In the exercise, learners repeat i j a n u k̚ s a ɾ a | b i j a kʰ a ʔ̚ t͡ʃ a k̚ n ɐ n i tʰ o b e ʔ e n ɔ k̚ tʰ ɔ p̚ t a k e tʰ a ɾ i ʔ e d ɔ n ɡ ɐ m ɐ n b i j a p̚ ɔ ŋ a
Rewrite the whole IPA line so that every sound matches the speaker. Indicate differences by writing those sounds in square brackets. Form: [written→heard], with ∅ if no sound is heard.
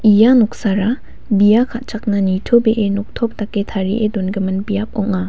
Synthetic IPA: i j a n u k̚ s a ɾ a | b i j a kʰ a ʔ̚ t͡ʃ a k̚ n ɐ n i tʰ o b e ʔ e n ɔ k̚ tʰ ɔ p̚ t a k e tʰ a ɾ i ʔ e d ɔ n ɡ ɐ m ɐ n b i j a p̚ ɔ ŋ a